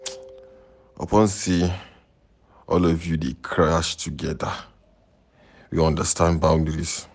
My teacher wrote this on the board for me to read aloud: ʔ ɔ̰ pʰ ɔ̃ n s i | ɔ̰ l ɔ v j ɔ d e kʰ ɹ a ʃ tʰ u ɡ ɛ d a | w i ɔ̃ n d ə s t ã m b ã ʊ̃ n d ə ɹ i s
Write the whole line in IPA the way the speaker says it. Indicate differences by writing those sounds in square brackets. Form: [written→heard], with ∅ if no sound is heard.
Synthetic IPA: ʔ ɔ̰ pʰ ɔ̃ n s i | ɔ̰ l ɔ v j [ɔ→u] d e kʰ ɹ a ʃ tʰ u ɡ ɛ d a | w i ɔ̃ n d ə s t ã [m→n] b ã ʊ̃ n d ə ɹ i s